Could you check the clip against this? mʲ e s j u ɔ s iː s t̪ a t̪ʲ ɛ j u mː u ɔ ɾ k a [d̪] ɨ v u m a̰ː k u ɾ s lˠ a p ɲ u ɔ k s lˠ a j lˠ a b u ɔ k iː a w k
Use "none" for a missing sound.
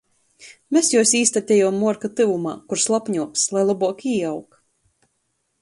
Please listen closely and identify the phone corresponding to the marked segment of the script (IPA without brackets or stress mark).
t̪